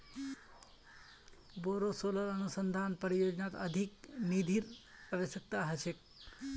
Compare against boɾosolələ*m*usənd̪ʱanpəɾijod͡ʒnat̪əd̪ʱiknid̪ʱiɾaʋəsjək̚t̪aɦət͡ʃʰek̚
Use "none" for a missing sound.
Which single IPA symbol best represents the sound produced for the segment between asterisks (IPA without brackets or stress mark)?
n